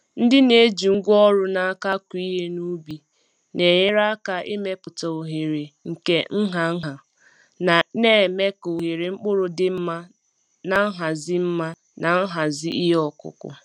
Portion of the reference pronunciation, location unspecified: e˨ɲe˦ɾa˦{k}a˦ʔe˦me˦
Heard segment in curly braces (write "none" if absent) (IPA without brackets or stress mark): k